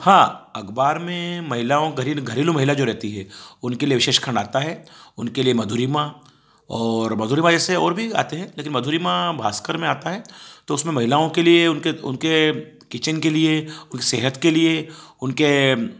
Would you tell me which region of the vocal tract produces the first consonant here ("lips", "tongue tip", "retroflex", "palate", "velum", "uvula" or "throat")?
throat